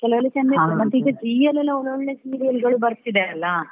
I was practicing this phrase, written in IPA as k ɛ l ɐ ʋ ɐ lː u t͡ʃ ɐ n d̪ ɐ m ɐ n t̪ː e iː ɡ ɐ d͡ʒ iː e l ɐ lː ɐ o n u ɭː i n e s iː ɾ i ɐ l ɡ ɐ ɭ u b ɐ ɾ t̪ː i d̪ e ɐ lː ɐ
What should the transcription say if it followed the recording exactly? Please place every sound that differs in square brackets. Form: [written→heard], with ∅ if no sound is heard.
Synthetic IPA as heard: k ɛ l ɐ ʋ ɐ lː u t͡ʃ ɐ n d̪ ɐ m ɐ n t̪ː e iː ɡ ɐ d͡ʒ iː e l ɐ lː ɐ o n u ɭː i n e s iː ɾ i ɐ l ɡ ɐ ɭ u b ɐ ɾ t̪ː i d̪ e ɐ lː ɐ